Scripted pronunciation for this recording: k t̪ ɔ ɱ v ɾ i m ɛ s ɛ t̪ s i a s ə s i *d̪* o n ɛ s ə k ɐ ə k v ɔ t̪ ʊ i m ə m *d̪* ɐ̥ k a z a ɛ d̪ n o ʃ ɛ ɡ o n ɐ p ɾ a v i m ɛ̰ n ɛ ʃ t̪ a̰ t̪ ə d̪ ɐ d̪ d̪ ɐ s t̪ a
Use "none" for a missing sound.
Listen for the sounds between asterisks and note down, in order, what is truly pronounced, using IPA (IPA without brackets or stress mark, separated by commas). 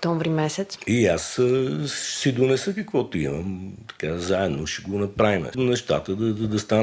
d̪, t̪